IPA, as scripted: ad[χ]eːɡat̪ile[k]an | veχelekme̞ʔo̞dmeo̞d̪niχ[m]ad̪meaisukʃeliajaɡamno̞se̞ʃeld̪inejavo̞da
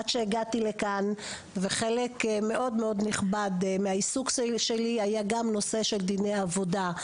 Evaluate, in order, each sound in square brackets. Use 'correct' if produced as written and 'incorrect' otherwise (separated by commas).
incorrect, correct, incorrect